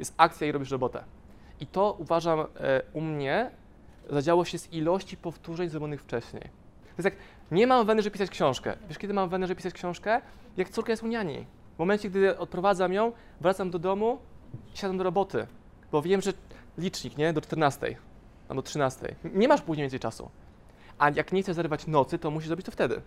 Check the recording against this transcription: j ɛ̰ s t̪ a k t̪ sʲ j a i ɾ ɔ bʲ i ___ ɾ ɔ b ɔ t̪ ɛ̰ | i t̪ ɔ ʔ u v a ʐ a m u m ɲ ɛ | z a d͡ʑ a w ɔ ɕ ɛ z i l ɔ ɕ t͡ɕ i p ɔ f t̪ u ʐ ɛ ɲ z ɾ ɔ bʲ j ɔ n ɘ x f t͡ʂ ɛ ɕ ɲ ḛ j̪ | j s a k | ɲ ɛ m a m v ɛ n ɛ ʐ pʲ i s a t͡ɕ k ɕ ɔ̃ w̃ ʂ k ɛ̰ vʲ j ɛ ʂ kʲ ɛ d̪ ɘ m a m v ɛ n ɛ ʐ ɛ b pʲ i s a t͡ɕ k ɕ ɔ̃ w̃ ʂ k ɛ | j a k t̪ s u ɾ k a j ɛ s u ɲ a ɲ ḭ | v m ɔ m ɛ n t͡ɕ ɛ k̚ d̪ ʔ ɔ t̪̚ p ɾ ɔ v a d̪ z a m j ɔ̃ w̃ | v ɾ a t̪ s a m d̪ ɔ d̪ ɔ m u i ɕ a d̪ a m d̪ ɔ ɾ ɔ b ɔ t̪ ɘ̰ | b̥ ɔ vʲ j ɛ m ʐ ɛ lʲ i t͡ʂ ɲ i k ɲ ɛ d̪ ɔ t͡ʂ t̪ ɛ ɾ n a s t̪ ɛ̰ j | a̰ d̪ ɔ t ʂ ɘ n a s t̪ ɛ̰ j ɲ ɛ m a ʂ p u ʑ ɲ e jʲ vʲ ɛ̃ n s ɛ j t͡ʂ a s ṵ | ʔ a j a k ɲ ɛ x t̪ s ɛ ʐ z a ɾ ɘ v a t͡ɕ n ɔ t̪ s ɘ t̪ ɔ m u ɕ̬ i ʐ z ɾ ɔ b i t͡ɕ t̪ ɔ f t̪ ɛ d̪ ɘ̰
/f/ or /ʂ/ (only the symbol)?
ʂ